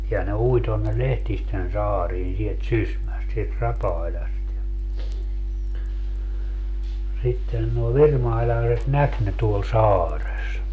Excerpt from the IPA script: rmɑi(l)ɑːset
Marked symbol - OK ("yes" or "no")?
yes